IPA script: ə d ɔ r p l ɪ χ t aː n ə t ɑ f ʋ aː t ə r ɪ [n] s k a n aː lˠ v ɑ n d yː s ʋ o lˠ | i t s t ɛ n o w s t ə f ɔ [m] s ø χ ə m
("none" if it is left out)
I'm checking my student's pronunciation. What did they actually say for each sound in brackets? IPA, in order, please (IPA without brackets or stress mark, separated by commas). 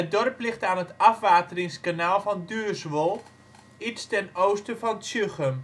ŋ, n